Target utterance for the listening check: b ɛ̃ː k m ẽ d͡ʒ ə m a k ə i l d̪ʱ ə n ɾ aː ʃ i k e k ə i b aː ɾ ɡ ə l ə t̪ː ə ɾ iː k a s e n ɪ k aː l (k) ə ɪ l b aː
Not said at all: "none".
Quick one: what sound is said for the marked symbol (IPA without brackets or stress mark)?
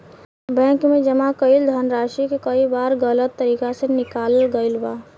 ɡ